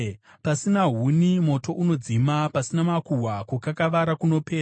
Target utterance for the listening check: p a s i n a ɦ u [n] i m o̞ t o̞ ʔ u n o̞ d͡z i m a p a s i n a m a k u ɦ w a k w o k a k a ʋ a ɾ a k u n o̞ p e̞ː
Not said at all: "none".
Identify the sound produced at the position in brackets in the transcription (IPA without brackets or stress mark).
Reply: n